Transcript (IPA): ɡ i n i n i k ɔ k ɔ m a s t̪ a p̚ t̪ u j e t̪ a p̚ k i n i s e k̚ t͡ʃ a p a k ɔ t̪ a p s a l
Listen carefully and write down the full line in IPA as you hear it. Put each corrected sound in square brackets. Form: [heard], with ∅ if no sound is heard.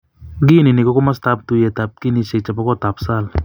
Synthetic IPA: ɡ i n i n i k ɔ k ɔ m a s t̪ a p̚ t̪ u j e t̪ a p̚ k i n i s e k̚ t͡ʃ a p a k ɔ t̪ a p s a l